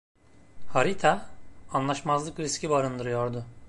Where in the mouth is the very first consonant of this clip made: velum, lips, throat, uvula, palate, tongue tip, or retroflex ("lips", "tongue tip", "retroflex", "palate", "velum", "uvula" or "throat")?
throat